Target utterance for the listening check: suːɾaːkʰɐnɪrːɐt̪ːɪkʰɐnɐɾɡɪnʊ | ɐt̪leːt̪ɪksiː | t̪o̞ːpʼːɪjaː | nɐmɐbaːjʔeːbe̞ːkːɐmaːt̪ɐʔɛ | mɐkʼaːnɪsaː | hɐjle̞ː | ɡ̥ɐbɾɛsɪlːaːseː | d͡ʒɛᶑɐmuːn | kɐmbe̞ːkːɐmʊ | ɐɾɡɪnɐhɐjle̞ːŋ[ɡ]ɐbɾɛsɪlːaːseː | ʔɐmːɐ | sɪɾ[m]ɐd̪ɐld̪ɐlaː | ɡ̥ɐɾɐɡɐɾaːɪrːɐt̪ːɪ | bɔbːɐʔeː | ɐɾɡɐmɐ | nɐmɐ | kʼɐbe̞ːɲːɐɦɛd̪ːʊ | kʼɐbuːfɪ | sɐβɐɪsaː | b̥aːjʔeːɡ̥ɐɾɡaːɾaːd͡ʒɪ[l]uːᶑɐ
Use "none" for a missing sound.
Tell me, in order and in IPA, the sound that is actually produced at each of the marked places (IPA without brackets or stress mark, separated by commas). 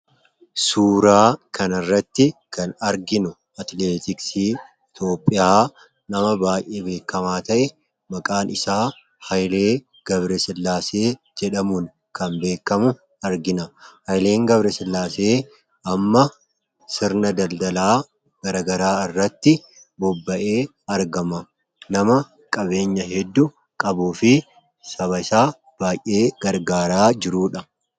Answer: ɡ, n, ɾ